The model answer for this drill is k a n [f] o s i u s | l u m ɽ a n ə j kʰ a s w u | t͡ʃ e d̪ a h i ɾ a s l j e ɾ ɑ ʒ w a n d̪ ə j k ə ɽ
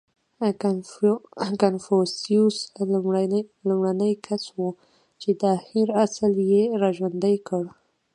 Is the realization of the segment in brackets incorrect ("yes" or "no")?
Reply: no